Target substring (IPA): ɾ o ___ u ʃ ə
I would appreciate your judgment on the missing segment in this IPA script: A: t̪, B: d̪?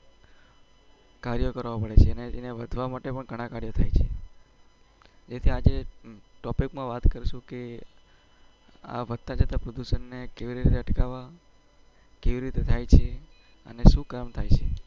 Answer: B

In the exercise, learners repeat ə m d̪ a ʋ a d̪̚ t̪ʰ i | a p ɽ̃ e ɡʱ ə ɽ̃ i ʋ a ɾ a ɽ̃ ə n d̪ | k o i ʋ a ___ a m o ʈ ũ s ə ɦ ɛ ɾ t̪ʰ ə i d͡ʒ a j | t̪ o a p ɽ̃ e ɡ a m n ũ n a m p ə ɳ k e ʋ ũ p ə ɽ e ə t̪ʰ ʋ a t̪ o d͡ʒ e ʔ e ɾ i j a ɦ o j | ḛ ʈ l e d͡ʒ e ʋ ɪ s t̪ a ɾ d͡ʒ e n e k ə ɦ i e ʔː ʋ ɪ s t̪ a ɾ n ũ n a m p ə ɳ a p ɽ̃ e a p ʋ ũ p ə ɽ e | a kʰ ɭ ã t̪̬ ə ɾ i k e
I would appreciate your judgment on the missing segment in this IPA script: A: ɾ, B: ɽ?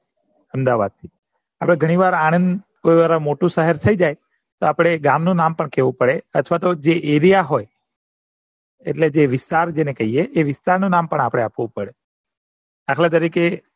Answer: A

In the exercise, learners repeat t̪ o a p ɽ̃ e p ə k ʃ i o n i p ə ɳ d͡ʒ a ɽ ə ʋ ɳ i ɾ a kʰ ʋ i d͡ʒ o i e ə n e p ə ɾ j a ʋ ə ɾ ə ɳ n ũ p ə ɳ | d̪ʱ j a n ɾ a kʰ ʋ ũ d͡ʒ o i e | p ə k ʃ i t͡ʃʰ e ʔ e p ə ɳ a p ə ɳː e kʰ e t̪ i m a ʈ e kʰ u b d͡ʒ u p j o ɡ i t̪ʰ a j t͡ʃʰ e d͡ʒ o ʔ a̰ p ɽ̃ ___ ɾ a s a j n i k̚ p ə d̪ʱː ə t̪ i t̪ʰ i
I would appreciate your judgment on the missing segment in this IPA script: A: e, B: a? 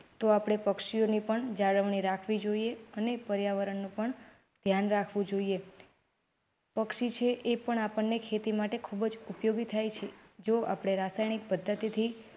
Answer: A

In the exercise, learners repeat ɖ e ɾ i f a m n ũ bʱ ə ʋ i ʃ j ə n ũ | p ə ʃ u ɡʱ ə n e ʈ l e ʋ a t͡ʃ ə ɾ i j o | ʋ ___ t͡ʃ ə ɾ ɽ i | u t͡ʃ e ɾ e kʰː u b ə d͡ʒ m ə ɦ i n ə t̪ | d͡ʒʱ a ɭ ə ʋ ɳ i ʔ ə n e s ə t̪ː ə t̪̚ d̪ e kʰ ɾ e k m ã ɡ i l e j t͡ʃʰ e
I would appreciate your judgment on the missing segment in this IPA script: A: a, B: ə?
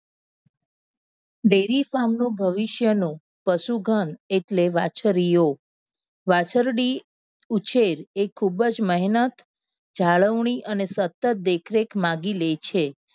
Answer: A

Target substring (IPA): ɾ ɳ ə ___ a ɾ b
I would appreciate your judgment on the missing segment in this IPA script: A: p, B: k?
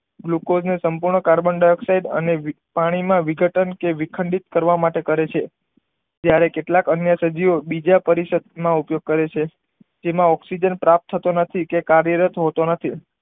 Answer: B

